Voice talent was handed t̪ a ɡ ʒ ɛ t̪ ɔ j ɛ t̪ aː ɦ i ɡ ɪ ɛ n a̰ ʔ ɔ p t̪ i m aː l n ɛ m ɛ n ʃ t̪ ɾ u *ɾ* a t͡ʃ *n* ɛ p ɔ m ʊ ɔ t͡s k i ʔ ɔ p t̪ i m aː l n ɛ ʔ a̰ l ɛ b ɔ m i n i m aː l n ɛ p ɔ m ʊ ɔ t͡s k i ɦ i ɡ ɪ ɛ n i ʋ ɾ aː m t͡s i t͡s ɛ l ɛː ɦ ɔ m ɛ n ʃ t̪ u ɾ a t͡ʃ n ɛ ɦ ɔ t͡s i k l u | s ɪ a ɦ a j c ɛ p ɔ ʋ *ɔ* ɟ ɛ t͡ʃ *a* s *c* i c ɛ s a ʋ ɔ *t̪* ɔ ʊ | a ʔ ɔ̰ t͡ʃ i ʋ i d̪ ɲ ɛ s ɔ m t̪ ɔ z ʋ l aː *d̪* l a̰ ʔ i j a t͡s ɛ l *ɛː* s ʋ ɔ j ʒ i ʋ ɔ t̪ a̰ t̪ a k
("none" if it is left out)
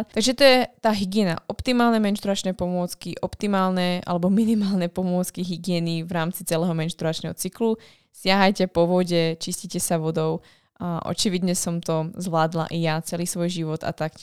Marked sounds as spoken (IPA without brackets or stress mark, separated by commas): ɾ, n, ɔ, i, c, d̪, d̪, iː